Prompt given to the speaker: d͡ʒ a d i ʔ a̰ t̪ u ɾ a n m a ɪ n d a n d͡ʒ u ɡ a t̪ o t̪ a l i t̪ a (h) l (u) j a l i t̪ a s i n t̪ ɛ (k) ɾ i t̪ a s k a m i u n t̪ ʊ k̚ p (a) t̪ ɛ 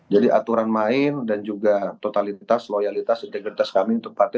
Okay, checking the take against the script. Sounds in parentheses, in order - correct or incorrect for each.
incorrect, incorrect, incorrect, correct

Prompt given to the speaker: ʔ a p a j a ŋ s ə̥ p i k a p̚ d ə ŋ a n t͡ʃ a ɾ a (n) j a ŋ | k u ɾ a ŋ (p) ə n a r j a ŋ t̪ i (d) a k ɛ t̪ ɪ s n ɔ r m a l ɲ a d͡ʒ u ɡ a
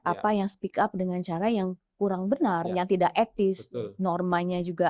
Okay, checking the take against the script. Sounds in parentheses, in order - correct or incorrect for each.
incorrect, incorrect, correct

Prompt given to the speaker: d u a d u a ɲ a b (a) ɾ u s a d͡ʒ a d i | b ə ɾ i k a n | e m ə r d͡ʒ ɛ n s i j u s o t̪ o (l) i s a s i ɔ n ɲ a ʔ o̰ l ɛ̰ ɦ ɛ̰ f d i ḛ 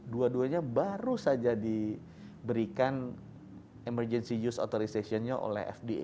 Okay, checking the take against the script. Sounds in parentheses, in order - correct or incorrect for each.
correct, incorrect

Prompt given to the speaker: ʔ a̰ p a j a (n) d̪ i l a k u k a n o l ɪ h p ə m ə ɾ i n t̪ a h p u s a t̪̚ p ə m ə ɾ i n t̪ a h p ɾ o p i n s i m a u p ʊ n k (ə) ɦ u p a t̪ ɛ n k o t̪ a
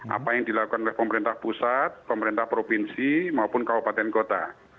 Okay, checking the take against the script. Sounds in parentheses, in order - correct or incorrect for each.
incorrect, incorrect

